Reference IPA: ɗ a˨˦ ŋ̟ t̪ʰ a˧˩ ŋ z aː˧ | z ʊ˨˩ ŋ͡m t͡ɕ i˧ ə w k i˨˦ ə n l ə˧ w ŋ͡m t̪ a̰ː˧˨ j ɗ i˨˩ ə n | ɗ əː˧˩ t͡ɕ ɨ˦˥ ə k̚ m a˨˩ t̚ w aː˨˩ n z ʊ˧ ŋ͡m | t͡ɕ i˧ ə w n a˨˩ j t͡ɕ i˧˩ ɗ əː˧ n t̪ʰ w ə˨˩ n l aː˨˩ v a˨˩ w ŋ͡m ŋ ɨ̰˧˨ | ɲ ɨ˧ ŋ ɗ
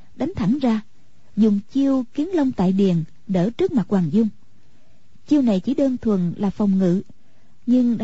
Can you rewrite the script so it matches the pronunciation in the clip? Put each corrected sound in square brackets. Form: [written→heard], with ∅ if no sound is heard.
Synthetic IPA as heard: ɗ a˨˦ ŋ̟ t̪ʰ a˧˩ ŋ z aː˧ | z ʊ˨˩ ŋ͡m t͡ɕ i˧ ə w k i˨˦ ə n l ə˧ w ŋ͡m t̪ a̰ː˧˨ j ɗ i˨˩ ə n | ɗ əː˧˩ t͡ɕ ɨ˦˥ ə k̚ m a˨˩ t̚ w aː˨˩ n z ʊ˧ ŋ͡m | t͡ɕ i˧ ə w n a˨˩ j t͡ɕ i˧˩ ɗ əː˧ n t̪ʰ w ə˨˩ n l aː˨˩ [v→f] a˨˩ w ŋ͡m ŋ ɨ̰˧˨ | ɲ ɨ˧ ŋ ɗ